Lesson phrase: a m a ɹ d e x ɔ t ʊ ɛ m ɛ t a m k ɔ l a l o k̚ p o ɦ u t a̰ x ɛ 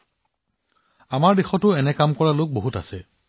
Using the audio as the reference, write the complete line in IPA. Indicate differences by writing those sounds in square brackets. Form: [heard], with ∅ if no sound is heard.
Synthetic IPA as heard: a m a ɹ d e x ɔ t ʊ ɛ [n] ɛ [k] a m k ɔ [ɹ] a l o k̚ [b] o ɦ u t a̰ [s] ɛ